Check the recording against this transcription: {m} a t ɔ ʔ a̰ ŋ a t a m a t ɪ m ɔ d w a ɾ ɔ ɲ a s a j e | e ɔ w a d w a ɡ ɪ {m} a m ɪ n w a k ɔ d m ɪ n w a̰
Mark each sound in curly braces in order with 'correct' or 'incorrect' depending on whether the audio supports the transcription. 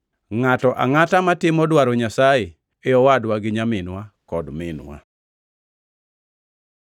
incorrect: ŋ, incorrect: ɲ

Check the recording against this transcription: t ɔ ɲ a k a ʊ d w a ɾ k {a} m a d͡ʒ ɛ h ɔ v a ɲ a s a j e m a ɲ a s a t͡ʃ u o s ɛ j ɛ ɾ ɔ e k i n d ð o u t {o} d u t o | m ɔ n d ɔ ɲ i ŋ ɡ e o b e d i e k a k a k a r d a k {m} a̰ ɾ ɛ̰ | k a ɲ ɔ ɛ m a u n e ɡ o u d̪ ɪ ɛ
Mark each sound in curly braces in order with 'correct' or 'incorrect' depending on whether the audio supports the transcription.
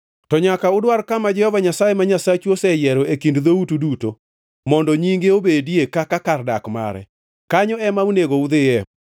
correct, incorrect: u, correct

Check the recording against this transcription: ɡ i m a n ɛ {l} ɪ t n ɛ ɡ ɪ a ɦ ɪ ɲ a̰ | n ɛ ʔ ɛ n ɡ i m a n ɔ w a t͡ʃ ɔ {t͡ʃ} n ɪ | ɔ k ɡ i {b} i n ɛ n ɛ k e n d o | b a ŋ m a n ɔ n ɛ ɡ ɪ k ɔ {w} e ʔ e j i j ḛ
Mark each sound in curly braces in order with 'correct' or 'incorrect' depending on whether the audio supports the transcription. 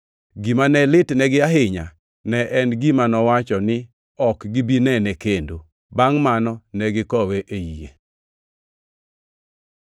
correct, incorrect: none, correct, correct

